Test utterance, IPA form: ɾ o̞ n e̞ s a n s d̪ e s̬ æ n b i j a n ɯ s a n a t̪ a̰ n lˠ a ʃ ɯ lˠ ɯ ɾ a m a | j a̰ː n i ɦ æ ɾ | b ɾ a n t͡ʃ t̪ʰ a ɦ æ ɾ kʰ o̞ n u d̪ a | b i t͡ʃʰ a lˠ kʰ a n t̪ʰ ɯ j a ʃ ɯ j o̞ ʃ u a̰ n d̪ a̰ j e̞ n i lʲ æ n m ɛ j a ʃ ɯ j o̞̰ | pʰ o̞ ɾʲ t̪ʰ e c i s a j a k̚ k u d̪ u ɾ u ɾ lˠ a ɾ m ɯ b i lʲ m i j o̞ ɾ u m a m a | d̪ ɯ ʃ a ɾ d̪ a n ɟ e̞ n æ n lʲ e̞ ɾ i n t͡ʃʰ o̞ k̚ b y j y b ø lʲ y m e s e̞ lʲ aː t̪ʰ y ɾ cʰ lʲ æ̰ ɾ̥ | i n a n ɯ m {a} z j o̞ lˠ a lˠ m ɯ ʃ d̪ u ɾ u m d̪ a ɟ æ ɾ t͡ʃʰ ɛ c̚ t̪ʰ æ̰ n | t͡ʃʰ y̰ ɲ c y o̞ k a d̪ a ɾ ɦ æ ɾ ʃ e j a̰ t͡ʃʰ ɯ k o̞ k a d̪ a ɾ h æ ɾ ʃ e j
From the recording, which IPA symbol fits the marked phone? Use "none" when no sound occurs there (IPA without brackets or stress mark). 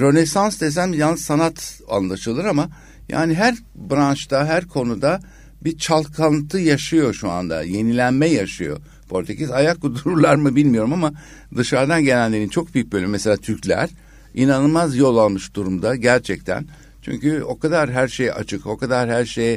a